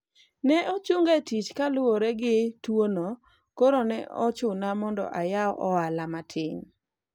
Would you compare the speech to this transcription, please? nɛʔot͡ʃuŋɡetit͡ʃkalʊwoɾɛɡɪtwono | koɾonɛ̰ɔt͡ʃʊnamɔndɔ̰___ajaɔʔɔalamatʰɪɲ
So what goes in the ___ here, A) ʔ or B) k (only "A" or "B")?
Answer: A